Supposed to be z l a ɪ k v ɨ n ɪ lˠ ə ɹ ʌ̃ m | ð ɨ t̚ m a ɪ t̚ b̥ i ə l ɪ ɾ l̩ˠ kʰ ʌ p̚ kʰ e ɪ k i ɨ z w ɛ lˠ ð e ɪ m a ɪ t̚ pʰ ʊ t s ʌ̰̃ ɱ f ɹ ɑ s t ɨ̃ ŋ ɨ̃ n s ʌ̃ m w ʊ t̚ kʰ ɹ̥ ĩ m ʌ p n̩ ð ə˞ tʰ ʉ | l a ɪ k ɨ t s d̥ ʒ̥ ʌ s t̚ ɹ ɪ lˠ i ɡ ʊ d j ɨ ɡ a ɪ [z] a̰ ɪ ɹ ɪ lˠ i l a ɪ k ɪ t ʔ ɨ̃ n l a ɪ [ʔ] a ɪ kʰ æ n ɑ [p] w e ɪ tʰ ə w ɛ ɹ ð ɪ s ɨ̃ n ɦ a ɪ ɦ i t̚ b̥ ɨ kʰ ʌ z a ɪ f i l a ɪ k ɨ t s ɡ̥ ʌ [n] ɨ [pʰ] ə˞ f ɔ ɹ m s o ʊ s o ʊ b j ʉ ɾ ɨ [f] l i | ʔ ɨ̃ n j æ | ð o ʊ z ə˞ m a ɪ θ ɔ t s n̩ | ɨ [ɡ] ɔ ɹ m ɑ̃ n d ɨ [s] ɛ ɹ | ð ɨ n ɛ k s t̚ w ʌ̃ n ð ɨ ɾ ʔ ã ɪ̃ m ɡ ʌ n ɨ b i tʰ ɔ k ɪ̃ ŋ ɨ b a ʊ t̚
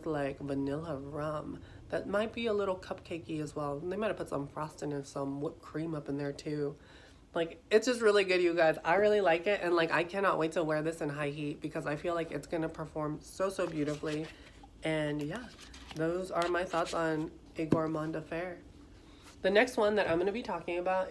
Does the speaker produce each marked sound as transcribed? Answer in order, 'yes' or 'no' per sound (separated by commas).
yes, no, no, yes, yes, yes, yes, no